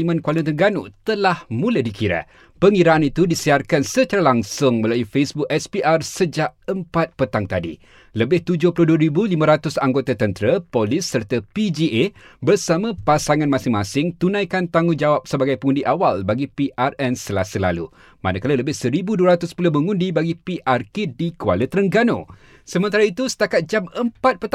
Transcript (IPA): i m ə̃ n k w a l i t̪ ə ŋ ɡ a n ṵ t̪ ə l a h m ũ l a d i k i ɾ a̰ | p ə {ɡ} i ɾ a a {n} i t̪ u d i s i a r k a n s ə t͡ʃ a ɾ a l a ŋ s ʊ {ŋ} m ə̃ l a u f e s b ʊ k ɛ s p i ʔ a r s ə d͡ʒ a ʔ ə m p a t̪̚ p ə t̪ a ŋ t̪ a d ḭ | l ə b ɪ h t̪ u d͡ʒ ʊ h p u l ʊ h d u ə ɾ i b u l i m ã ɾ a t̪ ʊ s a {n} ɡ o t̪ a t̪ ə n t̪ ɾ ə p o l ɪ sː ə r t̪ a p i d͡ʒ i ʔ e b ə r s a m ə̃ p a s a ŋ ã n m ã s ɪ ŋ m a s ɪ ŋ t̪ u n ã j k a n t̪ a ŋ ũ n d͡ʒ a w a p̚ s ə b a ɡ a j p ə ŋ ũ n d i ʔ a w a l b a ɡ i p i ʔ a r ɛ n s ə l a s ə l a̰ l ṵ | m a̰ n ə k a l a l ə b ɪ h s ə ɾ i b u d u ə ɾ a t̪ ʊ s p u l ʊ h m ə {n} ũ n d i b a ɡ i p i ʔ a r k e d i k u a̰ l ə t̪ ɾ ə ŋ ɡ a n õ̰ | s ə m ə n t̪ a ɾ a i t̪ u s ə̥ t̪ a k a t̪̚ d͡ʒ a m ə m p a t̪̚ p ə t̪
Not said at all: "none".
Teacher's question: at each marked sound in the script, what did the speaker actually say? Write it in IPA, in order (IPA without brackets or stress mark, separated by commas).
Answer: ŋ, n, ŋ, ŋ, ŋ